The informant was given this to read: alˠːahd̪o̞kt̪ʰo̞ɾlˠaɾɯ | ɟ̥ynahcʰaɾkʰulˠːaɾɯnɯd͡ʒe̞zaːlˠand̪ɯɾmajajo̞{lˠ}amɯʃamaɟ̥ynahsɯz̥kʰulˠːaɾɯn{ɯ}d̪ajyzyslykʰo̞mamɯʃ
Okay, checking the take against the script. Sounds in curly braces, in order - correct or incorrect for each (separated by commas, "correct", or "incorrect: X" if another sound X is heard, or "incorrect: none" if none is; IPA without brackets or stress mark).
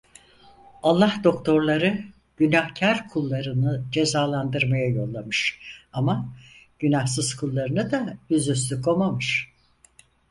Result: incorrect: lˠː, correct